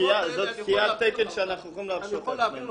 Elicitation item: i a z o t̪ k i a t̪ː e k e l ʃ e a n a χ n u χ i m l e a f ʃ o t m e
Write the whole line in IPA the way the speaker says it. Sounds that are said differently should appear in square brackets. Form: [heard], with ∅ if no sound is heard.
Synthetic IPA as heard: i a z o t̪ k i a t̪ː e k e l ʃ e a n a χ n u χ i m l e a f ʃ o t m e